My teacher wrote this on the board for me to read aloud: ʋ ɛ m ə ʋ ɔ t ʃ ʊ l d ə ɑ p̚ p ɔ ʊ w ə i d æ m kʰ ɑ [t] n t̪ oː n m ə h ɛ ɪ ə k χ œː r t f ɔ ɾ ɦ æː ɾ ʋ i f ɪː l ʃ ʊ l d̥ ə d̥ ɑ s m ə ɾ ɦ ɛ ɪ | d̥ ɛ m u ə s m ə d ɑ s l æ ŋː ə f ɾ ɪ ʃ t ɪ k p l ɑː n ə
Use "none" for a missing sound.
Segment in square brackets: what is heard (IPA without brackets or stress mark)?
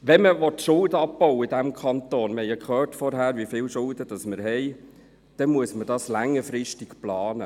none